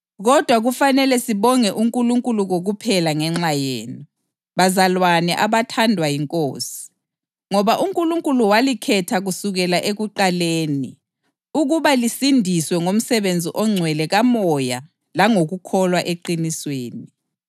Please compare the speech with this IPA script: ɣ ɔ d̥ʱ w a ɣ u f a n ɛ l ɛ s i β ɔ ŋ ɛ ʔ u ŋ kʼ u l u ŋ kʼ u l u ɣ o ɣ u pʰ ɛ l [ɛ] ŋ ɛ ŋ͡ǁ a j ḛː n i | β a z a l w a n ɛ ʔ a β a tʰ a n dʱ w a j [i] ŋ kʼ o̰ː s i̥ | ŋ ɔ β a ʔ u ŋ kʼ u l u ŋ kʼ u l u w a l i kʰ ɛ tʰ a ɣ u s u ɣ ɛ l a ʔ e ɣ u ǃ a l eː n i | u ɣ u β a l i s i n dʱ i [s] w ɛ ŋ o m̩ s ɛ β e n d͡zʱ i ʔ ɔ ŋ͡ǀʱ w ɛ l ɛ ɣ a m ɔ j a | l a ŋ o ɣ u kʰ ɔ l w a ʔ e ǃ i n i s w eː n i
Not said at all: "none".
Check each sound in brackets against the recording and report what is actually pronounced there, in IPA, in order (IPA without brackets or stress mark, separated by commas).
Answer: a, i, s